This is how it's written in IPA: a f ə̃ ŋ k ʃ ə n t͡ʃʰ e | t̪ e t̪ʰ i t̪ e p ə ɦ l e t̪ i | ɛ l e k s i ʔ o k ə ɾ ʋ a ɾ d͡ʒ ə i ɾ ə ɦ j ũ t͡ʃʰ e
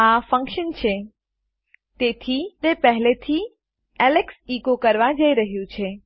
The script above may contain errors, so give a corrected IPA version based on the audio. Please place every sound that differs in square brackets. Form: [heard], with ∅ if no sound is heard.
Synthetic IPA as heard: a f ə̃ ŋ k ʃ ə n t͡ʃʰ e | t̪ e t̪ʰ i t̪ e p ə ɦ l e [t̪ʰ] i | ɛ l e k s i [k] o k ə ɾ ʋ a [∅] d͡ʒ ə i ɾ ə ɦ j ũ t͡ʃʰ e